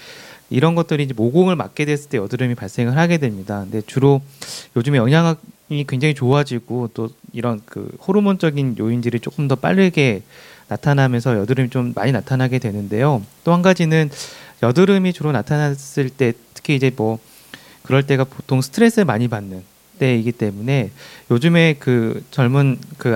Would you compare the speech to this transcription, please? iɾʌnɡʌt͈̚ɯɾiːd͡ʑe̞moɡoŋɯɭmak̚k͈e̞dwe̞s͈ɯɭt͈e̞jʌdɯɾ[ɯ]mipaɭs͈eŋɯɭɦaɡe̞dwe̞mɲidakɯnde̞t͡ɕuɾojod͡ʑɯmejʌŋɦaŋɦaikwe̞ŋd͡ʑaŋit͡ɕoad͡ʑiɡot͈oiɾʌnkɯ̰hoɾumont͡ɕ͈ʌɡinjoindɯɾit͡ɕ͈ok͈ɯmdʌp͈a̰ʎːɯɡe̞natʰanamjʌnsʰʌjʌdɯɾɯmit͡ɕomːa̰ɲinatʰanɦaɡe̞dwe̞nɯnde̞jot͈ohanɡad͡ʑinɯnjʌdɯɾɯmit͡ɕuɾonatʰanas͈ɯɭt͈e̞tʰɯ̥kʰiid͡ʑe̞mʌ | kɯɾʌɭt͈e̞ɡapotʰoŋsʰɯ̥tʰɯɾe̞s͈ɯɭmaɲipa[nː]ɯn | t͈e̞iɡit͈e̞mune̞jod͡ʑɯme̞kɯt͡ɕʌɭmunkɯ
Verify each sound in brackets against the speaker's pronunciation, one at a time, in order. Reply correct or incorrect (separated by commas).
correct, correct